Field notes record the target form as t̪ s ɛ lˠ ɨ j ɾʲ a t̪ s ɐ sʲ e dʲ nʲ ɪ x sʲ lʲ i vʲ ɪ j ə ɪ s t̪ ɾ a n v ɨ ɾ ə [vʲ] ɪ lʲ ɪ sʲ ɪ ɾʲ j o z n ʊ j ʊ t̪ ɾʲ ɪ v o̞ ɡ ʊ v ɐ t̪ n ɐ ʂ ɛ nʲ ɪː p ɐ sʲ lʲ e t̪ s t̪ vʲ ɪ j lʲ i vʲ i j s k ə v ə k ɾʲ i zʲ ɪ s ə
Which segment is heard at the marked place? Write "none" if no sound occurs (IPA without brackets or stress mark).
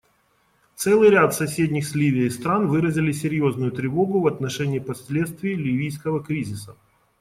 zʲ